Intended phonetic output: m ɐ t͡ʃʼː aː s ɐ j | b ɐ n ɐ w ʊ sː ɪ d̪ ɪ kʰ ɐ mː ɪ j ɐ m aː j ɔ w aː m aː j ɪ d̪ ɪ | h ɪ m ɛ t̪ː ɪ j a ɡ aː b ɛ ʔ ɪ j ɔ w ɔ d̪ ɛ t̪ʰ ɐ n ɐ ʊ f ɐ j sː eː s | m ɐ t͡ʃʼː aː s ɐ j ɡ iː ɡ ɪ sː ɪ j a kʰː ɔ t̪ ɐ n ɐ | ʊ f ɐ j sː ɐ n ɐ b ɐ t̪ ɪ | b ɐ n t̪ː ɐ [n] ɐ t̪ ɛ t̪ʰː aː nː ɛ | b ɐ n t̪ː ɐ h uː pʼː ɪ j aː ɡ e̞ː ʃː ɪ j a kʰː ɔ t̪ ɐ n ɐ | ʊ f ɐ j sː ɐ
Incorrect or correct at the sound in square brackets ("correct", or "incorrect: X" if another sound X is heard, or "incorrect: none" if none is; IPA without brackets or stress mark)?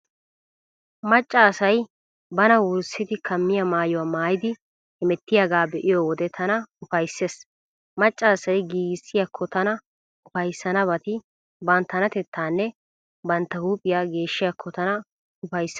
correct